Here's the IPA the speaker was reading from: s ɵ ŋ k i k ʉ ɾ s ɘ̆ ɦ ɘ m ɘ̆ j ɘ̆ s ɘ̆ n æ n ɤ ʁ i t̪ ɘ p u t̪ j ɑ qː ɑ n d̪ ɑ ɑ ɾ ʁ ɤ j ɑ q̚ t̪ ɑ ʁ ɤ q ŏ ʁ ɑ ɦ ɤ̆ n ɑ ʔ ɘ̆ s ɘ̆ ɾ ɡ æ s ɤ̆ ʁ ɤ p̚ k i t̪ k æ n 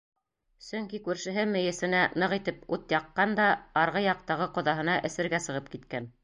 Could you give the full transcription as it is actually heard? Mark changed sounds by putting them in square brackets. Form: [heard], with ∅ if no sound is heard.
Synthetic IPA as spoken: s ɵ ŋ k i k ʉ ɾ [ʃ] ɘ̆ ɦ ɘ m ɘ̆ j ɘ̆ s ɘ̆ n æ n ɤ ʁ i t̪ ɘ p u t̪ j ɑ qː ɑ n d̪ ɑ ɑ ɾ ʁ ɤ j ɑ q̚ t̪ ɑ ʁ ɤ q ŏ [ð] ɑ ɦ ɤ̆ n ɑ ʔ ɘ̆ s ɘ̆ ɾ ɡ æ s ɤ̆ ʁ ɤ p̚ k i t̪ k æ n